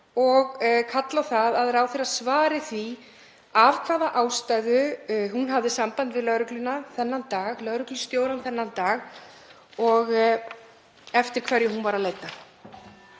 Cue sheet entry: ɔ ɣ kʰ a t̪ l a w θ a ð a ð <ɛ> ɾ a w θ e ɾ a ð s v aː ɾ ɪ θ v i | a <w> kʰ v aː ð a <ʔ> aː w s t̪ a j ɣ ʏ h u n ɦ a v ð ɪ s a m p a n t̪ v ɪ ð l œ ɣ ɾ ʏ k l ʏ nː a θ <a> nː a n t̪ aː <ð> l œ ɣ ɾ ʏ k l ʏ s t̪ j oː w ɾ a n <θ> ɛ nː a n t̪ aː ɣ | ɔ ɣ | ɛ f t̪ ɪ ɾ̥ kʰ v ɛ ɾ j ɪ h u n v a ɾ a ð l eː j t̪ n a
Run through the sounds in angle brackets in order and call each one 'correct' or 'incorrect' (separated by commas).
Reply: correct, incorrect, correct, incorrect, incorrect, correct